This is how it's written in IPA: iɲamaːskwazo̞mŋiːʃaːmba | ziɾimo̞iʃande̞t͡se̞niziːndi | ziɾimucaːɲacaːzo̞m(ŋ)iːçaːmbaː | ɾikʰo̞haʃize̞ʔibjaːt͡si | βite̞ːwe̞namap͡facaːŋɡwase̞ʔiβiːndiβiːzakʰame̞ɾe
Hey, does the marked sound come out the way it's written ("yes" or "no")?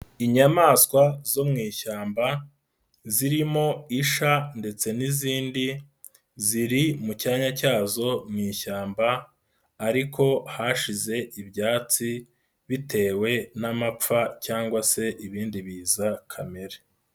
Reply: yes